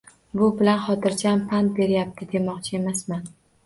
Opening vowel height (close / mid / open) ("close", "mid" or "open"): close